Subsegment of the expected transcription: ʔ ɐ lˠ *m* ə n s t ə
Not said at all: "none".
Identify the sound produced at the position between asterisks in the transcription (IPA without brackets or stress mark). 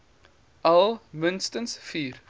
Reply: m